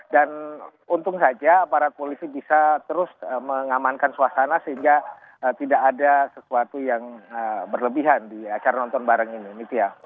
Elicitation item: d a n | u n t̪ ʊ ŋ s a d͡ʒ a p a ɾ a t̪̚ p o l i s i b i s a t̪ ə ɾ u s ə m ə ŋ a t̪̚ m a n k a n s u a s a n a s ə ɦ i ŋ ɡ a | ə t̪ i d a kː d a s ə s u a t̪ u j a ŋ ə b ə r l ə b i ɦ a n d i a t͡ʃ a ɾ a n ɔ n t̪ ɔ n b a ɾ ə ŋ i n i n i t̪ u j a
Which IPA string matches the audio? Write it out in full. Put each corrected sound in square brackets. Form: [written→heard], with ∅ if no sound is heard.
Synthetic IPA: d a n | u n t̪ ʊ ŋ s a d͡ʒ a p a ɾ a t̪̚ p o l i s i b i s a t̪ ə ɾ [u→ʊ] s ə m ə ŋ a [t̪̚→∅] m a n k a n s u a s a n a s ə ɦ i ŋ ɡ a | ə t̪ i d a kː d a s ə s u a t̪ u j a ŋ ə b ə r l ə b i ɦ a n d i a t͡ʃ a ɾ a n ɔ n t̪ ɔ n b a ɾ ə ŋ i n i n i t̪ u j a